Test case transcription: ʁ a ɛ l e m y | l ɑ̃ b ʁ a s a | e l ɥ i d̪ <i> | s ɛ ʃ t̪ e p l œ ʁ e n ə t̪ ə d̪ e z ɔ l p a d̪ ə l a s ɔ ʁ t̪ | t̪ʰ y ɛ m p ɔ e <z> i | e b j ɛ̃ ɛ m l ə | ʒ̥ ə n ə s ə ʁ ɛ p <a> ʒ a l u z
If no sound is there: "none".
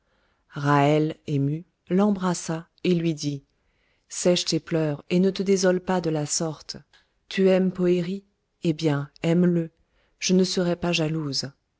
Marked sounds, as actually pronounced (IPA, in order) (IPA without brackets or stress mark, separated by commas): i, ʁ, a